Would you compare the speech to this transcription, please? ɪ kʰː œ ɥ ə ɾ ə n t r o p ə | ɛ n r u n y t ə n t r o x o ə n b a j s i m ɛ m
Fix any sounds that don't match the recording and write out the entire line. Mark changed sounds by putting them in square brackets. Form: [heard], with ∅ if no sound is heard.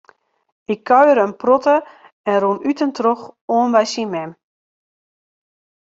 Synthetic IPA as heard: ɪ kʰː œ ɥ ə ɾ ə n [p] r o [t] ə | ɛ n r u n y t ə n t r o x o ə n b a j s i m ɛ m

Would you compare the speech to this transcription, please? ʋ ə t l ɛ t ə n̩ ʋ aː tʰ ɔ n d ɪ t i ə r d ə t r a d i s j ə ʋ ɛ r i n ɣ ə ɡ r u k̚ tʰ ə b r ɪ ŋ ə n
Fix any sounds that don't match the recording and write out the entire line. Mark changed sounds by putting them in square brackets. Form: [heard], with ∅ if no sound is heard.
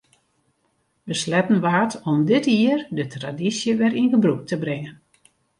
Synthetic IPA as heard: ʋ ə [s] l ɛ t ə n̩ ʋ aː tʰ ɔ [m] d ɪ t i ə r d ə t r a d i s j ə ʋ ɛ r i n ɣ ə [b] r u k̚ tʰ ə b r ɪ ŋ ə n

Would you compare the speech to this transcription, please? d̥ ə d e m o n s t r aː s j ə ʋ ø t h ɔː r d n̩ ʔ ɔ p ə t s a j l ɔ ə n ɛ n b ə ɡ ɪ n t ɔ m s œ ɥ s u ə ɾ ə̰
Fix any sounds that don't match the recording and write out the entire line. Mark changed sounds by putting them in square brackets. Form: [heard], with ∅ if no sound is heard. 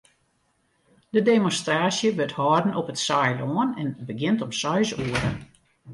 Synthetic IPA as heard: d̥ ə d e m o n s t r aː s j ə ʋ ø t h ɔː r d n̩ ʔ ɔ p ə t s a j l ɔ ə n ɛ n b ə ɡ ɪ n t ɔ m s œ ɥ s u ə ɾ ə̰

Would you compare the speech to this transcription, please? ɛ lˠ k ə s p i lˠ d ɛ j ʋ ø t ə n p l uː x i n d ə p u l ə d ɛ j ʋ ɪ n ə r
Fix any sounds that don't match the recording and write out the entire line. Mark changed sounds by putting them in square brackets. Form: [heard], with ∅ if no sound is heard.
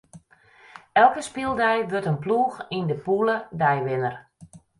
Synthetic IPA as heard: ɛ lˠ k ə s p i lˠ d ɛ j ʋ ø t ə n p l uː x i n d ə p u l ə d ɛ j ʋ ɪ n ə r

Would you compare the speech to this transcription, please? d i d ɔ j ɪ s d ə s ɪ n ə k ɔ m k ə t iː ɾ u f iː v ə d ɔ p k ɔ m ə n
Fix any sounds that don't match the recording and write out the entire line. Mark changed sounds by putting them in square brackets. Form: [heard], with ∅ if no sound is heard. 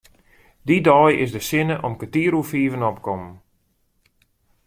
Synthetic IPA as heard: d i d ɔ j ɪ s d ə s ɪ n ə [ʔ] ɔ m k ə t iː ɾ u f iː v ə [n] ɔ p k ɔ m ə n

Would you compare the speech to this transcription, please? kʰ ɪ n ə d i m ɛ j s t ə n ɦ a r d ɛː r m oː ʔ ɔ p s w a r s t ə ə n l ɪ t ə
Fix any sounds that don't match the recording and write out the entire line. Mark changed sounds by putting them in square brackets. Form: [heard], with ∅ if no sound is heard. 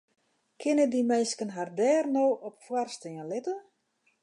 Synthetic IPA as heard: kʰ ɪ n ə d i m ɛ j s [k] ə n ɦ a r d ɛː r [n] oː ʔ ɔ p [f] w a r s t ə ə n l ɪ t ə

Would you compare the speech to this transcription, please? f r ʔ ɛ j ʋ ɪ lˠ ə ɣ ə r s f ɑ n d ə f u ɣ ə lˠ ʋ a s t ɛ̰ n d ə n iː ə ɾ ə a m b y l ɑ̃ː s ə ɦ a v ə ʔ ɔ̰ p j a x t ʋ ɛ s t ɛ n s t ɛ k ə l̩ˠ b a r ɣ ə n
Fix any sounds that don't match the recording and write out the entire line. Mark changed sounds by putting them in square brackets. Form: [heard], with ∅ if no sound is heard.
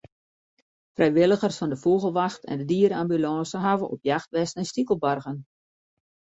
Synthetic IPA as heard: f r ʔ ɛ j ʋ ɪ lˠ ə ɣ ə r s f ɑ n d ə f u ɣ ə lˠ ʋ a [x] t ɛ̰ n d ə [d] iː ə ɾ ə a m b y l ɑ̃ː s ə ɦ a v ə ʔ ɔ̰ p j a x t ʋ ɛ s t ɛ n s t [i] k ə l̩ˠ b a r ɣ ə n

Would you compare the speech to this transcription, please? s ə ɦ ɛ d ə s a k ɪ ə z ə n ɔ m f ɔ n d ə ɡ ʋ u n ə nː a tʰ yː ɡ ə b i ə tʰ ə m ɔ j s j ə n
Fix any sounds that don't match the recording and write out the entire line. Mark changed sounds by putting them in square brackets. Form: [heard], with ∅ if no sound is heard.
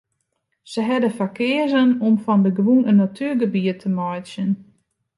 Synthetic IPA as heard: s ə ɦ ɛ d ə [f] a k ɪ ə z ə n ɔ m f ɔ n d ə ɡ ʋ u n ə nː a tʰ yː ɡ ə b i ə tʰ ə m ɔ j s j ə n

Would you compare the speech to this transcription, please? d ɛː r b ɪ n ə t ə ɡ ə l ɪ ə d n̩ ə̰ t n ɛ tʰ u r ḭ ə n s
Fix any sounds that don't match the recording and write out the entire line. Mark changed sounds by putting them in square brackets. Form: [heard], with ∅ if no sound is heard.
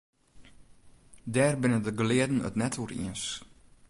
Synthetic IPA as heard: d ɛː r b ɪ n ə [d] ə ɡ ə l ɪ ə d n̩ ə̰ t n ɛ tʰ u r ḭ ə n s

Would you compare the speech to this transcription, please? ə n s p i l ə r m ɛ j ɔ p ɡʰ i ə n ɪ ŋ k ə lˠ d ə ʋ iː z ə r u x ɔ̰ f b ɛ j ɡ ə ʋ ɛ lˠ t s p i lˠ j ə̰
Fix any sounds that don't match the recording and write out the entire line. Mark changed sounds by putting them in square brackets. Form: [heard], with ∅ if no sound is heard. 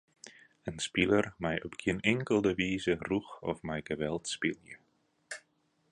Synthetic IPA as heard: ə n s p i l ə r m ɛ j ɔ p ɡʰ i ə n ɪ ŋ k ə lˠ d ə ʋ iː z ə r u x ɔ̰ f [m] ɛ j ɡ ə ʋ ɛ lˠ t s p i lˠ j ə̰

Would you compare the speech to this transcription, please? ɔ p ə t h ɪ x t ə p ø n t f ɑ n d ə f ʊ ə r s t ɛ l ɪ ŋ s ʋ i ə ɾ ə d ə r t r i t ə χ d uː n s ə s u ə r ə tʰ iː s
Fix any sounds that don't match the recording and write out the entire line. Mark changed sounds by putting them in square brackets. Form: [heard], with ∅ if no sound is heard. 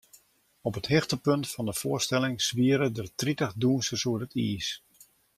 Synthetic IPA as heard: ɔ p ə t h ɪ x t ə p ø n t f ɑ n d ə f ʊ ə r s t ɛ l ɪ ŋ s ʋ i ə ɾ ə d ə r t r i t ə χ d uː n s ə s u ə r ə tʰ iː s

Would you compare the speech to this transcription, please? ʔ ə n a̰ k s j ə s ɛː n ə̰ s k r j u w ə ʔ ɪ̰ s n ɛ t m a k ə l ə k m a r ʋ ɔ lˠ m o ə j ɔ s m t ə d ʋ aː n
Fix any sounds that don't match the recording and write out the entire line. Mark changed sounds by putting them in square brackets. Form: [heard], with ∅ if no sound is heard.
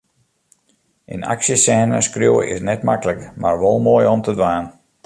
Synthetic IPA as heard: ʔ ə n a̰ k s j ə s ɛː n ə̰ s k r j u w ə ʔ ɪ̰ s n ɛ t m a k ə l ə k m a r ʋ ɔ lˠ m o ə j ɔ [∅] m t ə d ʋ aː n

